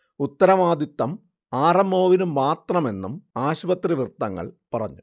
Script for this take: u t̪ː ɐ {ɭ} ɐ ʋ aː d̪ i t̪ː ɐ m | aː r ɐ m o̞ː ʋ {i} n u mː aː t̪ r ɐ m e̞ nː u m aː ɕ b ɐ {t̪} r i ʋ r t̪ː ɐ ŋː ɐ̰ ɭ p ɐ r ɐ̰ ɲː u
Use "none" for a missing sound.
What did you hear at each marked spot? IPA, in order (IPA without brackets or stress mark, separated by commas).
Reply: ɾ, i, t̪